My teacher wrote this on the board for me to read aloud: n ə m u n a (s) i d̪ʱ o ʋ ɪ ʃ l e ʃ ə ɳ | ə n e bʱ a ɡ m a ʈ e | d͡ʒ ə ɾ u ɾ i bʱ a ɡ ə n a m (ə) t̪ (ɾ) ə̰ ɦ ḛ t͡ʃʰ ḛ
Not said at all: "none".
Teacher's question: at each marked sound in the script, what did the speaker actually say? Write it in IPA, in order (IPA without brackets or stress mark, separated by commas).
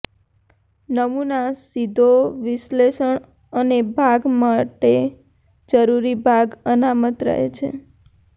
s, ə, ɾ